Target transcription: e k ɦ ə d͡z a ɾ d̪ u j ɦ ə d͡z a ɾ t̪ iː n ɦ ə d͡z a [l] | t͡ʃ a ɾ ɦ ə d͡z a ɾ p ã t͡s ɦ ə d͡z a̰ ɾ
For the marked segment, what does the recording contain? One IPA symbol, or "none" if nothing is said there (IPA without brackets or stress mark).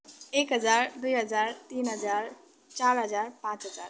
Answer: ɾ